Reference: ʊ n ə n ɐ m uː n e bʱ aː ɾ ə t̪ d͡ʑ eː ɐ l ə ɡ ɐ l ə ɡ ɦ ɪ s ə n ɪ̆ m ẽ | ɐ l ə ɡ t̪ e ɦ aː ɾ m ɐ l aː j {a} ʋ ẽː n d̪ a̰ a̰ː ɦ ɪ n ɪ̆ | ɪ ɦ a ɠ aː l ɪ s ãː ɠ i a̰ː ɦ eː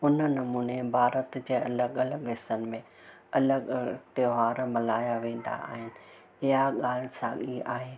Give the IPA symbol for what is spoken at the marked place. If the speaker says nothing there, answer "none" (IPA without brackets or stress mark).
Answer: a